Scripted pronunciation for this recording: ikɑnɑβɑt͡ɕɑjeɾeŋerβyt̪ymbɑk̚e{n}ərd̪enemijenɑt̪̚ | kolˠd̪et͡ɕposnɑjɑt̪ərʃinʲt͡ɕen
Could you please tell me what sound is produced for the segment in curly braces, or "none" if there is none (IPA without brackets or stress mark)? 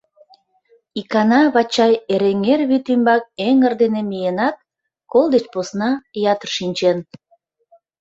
ŋ